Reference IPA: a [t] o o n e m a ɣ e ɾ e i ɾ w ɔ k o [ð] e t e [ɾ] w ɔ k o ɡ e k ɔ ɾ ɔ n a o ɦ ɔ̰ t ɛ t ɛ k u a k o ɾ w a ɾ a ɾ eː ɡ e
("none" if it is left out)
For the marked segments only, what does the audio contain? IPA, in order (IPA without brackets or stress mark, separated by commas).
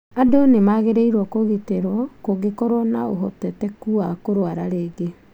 d, ɣ, ɾ